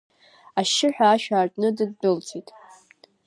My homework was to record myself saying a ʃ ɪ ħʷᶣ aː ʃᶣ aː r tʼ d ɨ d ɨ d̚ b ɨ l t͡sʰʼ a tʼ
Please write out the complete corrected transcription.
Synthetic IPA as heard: a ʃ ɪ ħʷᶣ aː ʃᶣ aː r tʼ n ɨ d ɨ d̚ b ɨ l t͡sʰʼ i tʼ